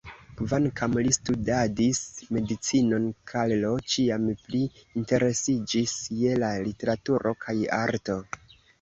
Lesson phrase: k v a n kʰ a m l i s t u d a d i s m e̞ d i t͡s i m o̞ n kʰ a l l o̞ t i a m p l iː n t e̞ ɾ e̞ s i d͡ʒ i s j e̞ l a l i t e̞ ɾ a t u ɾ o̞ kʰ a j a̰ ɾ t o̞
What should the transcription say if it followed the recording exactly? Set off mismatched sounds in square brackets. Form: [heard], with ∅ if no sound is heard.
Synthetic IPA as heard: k v a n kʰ a m l i s t u d a d i s m e̞ d i t͡s i [n] o̞ n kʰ a l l o̞ [t͡ʃ] i a m p l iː n t e̞ ɾ e̞ s i d͡ʒ i s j e̞ l a l i t e̞ ɾ a t u ɾ o̞ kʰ a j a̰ ɾ t o̞